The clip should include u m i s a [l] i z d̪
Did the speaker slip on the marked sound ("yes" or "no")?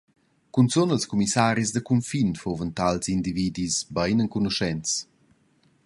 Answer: yes